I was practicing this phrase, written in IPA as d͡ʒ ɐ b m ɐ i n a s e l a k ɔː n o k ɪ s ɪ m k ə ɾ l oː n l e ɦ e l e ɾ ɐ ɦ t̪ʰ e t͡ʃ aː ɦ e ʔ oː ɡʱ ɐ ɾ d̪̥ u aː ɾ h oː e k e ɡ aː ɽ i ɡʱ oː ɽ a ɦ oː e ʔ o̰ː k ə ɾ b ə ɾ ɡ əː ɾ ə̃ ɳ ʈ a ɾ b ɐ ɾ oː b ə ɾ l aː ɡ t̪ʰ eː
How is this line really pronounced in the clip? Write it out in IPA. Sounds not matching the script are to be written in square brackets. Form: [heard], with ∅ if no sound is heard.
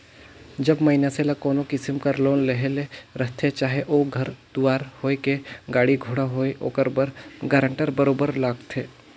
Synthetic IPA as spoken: d͡ʒ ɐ b m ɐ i n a s e l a k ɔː n o k ɪ s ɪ m k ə ɾ l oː n l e ɦ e l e ɾ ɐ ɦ t̪ʰ e t͡ʃ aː ɦ e ʔ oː ɡʱ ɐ ɾ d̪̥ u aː ɾ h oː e k e ɡ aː ɽ i ɡʱ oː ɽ a ɦ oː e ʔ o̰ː k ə ɾ b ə ɾ ɡ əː ɾ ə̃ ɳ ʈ [ə] ɾ b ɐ ɾ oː b ə ɾ l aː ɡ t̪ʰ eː

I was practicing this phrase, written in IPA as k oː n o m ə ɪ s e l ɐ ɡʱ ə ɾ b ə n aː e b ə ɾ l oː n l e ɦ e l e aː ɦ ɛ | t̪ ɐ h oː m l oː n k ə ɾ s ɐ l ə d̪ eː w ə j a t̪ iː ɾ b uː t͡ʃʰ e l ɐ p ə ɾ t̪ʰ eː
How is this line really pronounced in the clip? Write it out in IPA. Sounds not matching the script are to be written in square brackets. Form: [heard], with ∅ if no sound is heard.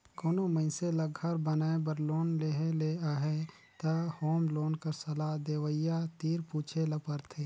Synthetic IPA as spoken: k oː n o m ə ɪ s e l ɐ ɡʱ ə ɾ b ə n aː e b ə ɾ l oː n l e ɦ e l e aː ɦ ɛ | t̪ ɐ h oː m l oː n k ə ɾ s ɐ l [a] d̪ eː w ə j a t̪ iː ɾ [p] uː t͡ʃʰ e l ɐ p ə ɾ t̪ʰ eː

